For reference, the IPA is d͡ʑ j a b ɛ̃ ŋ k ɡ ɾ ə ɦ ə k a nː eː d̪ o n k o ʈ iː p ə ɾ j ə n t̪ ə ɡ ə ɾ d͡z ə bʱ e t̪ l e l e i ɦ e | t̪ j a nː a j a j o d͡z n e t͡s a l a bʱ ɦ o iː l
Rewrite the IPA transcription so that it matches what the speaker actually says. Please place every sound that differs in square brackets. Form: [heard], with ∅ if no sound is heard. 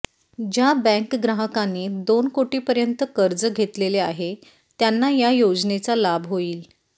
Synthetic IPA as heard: d͡ʑ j a b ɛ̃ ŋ k ɡ ɾ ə ɦ ə k a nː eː d̪ o n k o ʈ iː p ə ɾ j ə n t̪ ə [k] ə ɾ d͡z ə [ɡʱ] e t̪ l e l e [a] ɦ e | t̪ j a nː a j a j o d͡z n e t͡s a l a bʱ ɦ o iː l